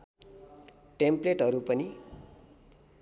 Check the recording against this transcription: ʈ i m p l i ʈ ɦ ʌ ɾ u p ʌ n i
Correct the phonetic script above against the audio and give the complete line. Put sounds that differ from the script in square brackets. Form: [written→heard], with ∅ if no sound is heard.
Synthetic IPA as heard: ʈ [i→e] m p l [i→e] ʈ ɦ ʌ ɾ u p ʌ n i